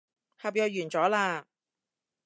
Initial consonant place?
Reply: glottal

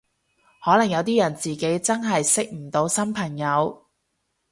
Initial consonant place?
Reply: glottal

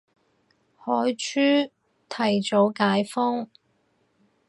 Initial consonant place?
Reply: glottal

